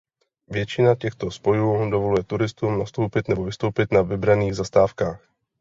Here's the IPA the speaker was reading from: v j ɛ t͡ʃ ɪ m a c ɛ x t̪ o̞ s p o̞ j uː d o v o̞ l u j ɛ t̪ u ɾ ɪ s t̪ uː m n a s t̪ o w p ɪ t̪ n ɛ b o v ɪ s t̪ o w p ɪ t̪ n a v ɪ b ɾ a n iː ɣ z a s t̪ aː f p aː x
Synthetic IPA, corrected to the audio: v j ɛ t͡ʃ ɪ n a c ɛ x t̪ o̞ s p o̞ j uː d o v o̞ l u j ɛ t̪ u ɾ ɪ s t̪ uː m n a s t̪ o w p ɪ t̪ n ɛ b o v ɪ s t̪ o w p ɪ t̪ n a v ɪ b ɾ a n iː ɣ z a s t̪ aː f k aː x